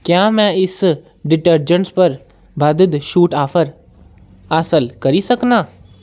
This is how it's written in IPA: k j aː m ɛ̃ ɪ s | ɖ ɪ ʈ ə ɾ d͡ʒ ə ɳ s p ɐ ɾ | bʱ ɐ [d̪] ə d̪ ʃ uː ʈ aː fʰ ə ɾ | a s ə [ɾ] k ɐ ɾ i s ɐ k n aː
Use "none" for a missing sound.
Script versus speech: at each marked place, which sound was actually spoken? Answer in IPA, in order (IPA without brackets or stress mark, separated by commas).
d̪, l